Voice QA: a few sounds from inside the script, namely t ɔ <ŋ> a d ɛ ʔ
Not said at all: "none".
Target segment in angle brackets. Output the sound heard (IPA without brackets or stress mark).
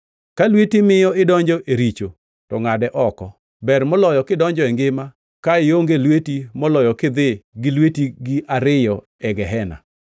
ŋ